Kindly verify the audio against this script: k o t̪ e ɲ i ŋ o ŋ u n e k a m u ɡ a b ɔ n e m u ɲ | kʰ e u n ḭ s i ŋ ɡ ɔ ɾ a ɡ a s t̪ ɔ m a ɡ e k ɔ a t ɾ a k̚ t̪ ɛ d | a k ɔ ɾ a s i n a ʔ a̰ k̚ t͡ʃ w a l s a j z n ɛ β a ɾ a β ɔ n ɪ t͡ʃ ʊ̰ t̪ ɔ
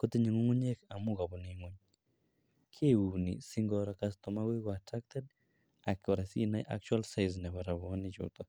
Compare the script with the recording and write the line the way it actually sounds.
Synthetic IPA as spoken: k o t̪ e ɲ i ŋ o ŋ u ɲ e k a m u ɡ a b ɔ n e ŋ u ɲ | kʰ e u n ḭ s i ŋ ɡ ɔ ɾ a k a s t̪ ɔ m a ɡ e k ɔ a t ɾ a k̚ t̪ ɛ d | a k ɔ ɾ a s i n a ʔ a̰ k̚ t͡ʃ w a l s a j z n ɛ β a ɾ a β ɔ n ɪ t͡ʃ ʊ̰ t̪ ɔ

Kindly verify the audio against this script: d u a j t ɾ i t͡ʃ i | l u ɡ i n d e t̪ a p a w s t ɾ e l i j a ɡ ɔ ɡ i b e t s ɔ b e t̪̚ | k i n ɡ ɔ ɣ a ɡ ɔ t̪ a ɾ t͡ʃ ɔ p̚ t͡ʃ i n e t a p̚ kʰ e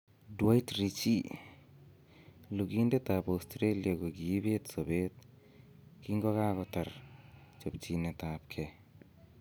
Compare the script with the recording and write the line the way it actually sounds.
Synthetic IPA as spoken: d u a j t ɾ i t͡ʃ i | l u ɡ i n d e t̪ a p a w s t ɾ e l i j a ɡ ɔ ɡ i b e t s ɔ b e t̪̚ | k i ŋ ɡ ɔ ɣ a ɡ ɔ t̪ a ɾ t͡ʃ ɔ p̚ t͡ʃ i n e t a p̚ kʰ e

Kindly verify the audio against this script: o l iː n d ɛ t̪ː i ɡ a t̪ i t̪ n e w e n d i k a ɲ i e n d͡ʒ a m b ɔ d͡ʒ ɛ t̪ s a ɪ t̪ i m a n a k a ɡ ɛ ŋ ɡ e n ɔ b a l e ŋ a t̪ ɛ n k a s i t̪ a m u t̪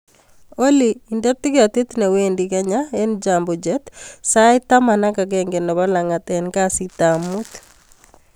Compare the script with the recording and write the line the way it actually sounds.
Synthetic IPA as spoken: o l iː n d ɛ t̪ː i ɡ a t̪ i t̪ n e w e n d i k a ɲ a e n d͡ʒ a m b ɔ d͡ʒ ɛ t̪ s a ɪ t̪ a m a n a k a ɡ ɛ ŋ ɡ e n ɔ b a l a ŋ a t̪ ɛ n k a s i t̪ a m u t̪

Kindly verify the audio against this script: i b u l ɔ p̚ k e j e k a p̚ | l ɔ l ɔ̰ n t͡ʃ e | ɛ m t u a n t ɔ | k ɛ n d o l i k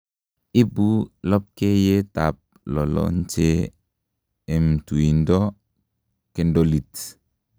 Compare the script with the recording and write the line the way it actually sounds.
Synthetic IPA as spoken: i b u l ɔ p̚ k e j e t a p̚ | l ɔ l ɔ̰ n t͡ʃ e | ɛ m t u i n d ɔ | k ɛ n d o l i t

